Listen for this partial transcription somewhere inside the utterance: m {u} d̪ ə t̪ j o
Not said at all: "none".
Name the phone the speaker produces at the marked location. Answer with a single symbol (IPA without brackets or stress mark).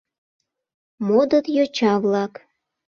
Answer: o